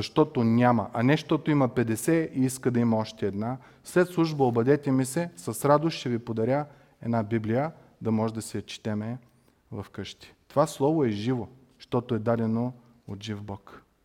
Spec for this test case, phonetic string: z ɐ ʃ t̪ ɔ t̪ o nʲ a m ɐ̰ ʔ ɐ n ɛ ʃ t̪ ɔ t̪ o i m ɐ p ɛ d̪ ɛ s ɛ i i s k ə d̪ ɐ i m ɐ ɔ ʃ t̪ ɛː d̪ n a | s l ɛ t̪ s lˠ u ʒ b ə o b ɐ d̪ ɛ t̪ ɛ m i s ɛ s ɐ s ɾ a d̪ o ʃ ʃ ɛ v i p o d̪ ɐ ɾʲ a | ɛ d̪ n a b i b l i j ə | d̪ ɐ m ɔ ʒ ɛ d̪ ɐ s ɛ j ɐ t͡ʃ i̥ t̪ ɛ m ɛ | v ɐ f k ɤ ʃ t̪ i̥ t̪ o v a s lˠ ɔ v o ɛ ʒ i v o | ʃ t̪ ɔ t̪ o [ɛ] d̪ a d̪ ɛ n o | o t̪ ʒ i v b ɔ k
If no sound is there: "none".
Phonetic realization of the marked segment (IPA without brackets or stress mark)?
ɛ